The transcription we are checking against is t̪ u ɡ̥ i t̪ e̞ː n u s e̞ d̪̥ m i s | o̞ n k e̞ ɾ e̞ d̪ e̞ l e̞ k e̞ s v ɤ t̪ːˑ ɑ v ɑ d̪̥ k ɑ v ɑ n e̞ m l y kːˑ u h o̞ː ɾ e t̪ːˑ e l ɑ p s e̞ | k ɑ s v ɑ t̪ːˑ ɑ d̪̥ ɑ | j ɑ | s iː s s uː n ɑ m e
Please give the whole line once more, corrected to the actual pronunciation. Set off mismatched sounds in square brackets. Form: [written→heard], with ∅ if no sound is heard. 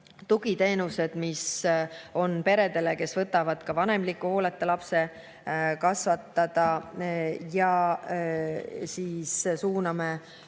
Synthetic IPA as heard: t̪ u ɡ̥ i t̪ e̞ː n u s e̞ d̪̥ m i s | o̞ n [k→p] e̞ ɾ e̞ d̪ e̞ l e̞ k e̞ s v ɤ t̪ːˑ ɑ v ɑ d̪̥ k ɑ v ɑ n e̞ m l [y→i] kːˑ u h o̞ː [ɾ→l] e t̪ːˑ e l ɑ p s e̞ | k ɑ s v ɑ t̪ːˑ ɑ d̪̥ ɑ | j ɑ | s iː s s uː n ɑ m e